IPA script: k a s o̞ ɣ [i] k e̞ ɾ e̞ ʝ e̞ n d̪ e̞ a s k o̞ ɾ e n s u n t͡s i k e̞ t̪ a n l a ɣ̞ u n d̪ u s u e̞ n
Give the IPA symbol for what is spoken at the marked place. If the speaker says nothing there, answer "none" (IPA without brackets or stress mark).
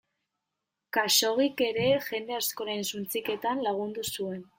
i